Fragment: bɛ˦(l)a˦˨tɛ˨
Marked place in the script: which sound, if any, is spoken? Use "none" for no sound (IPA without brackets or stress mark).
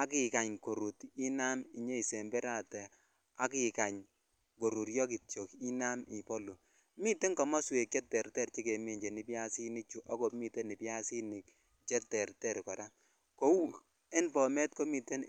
ɾ